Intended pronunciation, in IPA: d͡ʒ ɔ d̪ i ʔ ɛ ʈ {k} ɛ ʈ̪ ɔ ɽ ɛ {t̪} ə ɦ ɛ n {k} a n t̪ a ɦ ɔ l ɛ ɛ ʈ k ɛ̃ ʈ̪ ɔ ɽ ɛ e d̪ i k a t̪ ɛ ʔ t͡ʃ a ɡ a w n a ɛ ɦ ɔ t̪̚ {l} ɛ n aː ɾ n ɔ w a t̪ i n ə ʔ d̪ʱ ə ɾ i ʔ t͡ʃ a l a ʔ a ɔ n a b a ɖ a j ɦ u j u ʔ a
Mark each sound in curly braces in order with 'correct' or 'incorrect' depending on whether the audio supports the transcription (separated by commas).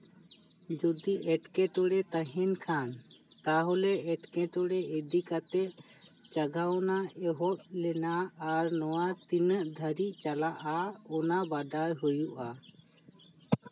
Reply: correct, correct, incorrect, correct